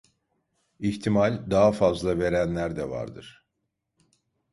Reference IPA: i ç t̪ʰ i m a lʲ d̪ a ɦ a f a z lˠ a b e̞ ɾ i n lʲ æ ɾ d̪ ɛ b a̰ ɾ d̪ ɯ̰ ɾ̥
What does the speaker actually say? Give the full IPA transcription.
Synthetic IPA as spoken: i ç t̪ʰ i m a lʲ d̪ a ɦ a f a z lˠ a v e̞ ɾ æ n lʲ æ ɾ d̪ ɛ v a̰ ɾ d̪ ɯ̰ ɾ̥